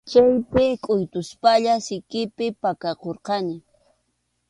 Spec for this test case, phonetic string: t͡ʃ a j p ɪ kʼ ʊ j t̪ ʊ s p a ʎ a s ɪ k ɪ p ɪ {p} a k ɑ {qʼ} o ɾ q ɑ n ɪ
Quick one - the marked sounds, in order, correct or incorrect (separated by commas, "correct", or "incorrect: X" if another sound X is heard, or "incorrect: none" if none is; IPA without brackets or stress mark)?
correct, incorrect: q